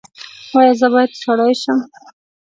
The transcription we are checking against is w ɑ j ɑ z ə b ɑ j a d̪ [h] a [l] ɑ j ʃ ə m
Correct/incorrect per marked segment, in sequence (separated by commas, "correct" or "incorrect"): incorrect, incorrect